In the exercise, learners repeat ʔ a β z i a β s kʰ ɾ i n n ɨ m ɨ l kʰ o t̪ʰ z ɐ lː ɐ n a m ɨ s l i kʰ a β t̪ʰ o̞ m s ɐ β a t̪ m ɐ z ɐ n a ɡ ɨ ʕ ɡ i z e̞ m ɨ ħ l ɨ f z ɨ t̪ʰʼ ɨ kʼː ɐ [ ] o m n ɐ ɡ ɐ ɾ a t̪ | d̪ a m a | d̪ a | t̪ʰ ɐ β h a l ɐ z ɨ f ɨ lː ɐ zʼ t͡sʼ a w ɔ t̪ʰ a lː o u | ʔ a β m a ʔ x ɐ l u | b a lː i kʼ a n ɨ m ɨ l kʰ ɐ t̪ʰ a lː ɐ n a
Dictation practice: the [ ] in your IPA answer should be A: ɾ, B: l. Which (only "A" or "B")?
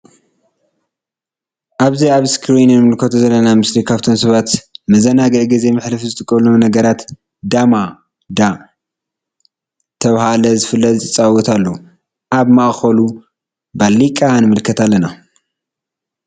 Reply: B